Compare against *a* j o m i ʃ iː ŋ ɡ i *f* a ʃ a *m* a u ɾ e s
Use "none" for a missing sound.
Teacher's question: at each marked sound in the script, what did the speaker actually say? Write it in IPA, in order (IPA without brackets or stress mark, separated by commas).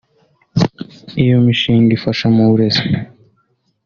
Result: i, f, m